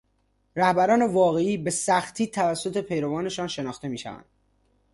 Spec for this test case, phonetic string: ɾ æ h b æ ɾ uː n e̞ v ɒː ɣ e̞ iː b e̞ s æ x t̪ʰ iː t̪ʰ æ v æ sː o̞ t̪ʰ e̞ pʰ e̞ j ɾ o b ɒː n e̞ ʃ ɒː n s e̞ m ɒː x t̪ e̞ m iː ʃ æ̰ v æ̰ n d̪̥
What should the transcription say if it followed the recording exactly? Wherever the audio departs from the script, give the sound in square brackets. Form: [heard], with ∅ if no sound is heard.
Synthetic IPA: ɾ æ h b æ ɾ [ɒː] n e̞ v ɒː ɣ e̞ iː b e̞ s æ x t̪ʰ iː t̪ʰ æ v æ sː o̞ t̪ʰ e̞ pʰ e̞ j ɾ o [v] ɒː n e̞ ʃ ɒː n [ʃ] e̞ [n] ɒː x t̪ e̞ m iː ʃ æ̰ v æ̰ n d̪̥